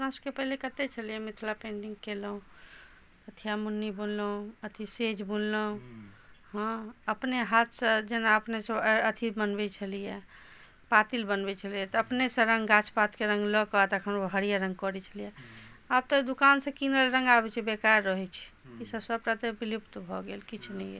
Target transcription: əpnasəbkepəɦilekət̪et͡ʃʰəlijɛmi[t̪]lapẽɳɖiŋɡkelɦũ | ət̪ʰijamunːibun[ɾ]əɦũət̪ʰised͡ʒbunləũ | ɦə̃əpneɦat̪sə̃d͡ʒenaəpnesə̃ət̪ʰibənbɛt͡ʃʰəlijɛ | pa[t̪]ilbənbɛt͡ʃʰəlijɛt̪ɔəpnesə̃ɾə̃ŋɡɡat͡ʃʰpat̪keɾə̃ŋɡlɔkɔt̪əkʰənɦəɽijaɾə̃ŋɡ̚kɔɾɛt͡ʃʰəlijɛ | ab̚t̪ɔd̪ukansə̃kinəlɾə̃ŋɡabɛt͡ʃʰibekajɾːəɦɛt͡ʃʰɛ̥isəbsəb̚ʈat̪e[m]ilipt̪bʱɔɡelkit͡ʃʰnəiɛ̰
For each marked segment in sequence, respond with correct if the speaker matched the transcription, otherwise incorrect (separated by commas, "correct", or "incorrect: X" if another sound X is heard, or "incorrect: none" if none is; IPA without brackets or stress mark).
incorrect: t̪ʰ, incorrect: l, correct, incorrect: b